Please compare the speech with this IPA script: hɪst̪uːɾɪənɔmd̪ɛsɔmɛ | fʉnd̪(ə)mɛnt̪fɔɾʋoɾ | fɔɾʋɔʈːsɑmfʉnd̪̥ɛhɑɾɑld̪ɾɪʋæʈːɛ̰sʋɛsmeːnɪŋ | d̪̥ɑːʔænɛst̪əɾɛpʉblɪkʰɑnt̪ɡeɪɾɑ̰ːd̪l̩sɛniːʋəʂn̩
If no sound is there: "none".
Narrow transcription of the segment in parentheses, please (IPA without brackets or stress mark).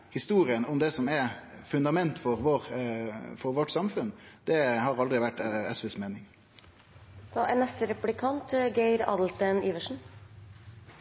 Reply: ɑ